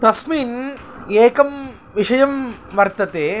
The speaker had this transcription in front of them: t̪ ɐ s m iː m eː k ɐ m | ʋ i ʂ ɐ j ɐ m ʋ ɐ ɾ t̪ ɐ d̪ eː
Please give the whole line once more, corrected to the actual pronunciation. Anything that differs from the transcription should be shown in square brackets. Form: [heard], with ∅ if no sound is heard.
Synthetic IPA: t̪ ɐ s m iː [n] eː k ɐ m | ʋ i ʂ ɐ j ɐ m ʋ ɐ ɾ t̪ ɐ [t̪] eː

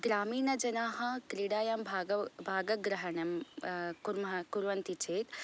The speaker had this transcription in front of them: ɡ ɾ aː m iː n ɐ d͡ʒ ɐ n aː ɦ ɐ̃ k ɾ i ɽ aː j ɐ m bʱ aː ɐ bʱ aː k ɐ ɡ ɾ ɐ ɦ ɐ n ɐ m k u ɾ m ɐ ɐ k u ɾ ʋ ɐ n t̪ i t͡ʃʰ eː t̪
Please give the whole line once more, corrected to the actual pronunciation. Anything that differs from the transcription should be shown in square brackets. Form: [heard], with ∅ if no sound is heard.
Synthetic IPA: ɡ ɾ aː m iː n ɐ d͡ʒ ɐ n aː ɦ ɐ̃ k ɾ i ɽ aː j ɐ m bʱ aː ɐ bʱ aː [ɡ] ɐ ɡ ɾ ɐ ɦ ɐ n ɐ m k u ɾ m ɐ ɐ k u ɾ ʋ ɐ n t̪ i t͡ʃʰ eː t̪

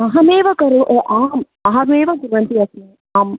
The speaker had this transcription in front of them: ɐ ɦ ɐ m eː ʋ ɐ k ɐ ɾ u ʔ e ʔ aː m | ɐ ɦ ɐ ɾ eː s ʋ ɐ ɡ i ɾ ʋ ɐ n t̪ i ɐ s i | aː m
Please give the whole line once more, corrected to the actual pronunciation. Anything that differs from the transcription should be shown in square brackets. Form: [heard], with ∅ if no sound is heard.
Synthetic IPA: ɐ ɦ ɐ m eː ʋ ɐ k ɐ ɾ u ʔ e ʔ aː m | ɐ ɦ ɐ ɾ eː [∅] ʋ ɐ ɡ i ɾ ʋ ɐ n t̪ i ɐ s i | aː m

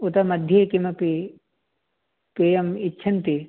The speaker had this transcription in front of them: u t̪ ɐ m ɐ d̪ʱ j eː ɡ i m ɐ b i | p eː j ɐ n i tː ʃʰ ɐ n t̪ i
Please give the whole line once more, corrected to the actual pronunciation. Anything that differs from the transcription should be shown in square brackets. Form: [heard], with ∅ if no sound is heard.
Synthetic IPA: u t̪ ɐ m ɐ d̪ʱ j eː [k] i m ɐ [p] i | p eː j ɐ [m] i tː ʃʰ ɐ n t̪ i

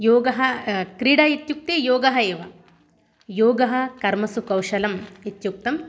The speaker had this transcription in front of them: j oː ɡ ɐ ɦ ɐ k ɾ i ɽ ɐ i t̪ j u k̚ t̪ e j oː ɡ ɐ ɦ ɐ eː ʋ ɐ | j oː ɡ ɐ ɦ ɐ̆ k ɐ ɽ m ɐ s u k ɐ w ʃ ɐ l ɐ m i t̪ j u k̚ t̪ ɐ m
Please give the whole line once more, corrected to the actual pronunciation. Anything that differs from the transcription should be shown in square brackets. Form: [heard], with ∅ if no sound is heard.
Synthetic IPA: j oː ɡ ɐ ɦ ɐ k ɾ i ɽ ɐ i t̪ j u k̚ t̪ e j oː ɡ ɐ ɦ ɐ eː ʋ ɐ | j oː ɡ ɐ ɦ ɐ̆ k ɐ [ɾ] m ɐ s u k ɐ w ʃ ɐ l ɐ m i t̪ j u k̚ t̪ ɐ m

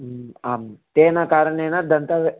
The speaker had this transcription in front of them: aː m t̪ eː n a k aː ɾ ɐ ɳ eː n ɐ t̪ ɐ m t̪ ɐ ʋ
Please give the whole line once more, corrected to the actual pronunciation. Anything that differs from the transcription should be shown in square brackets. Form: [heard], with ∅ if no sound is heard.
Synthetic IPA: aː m t̪ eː n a k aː ɾ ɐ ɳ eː n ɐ [d̪] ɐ [n] t̪ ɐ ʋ

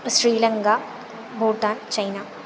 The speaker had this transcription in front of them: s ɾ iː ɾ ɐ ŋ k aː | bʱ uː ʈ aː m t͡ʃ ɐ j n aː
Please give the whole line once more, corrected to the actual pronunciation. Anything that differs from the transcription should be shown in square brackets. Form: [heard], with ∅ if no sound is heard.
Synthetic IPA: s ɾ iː [l] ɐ ŋ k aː | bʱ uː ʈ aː [n] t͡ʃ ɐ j n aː

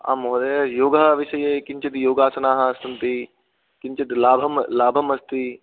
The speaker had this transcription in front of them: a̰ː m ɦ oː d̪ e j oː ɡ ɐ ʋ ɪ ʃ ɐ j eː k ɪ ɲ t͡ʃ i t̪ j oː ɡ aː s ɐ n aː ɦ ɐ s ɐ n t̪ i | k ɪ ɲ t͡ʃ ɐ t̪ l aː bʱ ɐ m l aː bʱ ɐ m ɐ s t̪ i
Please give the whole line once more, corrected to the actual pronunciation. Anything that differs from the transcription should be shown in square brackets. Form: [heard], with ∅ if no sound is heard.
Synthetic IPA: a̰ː m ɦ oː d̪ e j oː ɡ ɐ ʋ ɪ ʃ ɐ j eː k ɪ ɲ t͡ʃ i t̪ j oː ɡ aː s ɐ n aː ɦ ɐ s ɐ n t̪ i | k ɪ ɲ t͡ʃ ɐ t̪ l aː bʱ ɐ m l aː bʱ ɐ m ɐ s t̪ i

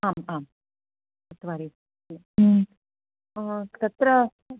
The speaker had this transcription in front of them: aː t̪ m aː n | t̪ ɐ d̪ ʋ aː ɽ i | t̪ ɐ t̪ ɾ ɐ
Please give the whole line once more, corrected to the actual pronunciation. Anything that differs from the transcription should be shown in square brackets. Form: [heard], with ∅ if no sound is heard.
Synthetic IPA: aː [∅] m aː [m] | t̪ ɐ [t̪] ʋ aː [ɾ] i | t̪ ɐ t̪ ɾ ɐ

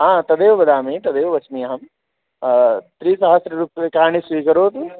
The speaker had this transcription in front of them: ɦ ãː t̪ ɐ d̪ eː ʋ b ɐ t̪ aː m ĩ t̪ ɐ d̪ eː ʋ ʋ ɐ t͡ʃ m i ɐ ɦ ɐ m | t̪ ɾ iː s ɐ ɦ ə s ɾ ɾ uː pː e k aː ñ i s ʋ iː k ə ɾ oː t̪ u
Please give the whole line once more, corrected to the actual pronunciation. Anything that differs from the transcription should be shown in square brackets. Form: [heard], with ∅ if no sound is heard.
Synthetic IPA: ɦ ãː t̪ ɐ d̪ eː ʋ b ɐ [d̪] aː m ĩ t̪ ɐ d̪ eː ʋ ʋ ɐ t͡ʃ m i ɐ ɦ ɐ m | t̪ ɾ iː s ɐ ɦ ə s ɾ ɾ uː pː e k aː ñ i s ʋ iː k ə ɾ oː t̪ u

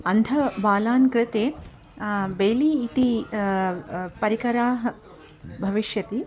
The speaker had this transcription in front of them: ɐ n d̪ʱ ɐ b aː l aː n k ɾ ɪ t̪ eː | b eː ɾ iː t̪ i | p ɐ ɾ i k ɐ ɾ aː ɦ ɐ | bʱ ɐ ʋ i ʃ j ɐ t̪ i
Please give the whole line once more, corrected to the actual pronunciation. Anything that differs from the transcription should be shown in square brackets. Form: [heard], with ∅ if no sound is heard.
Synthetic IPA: ɐ n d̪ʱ ɐ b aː l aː n k ɾ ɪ t̪ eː | b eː [l] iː t̪ i | p ɐ ɾ i k ɐ ɾ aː ɦ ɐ | bʱ ɐ ʋ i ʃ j ɐ t̪ i

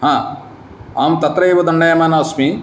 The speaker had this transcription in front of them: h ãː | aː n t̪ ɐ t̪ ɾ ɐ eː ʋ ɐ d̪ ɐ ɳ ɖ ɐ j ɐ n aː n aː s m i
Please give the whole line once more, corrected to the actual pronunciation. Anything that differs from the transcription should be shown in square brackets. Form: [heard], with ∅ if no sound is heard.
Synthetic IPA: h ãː | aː [m] t̪ ɐ t̪ ɾ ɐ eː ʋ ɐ d̪ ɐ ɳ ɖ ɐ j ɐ [m] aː n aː s m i

